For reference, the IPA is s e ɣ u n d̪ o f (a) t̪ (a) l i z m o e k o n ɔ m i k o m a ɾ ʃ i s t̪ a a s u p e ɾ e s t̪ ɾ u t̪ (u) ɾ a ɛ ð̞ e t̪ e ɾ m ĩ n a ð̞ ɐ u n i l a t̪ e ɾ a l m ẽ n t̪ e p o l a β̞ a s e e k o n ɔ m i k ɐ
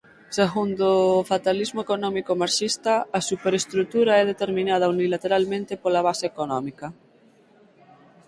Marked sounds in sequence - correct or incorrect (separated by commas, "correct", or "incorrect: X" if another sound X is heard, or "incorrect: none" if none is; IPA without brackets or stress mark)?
correct, correct, correct